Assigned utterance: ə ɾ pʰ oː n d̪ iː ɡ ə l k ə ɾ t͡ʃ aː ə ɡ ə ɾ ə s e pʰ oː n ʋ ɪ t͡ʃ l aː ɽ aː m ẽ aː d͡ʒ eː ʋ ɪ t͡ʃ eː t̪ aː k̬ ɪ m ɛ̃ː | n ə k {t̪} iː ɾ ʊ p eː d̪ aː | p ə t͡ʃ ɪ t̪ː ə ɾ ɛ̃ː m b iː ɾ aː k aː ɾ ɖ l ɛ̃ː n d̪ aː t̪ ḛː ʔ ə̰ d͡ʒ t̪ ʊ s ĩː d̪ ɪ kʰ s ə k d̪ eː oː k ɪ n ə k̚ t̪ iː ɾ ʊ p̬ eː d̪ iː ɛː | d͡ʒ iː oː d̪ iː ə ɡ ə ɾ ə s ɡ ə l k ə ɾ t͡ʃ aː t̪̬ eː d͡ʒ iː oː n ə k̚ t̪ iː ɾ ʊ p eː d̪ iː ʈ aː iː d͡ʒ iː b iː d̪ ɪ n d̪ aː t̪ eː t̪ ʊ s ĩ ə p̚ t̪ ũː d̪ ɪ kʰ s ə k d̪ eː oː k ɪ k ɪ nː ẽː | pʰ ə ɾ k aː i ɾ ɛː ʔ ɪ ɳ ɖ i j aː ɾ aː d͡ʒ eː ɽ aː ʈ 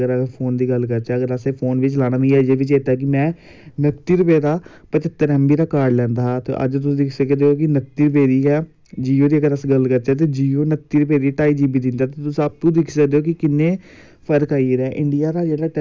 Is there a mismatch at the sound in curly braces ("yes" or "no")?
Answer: no